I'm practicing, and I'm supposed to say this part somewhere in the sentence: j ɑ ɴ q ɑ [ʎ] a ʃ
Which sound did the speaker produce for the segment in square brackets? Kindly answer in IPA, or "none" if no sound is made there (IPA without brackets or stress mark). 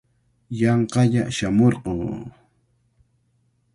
ʎ